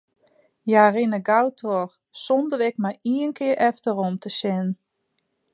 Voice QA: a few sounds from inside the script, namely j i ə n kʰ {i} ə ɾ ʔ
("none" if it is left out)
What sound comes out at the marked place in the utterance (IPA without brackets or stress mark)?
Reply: ɪ